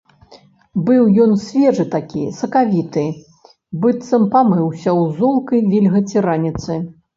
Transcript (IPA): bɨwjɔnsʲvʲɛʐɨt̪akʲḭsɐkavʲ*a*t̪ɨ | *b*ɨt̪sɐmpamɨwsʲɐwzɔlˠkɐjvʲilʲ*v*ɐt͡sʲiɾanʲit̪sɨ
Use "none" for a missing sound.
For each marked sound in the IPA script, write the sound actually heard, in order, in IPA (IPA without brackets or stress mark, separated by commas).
i, b, ɣ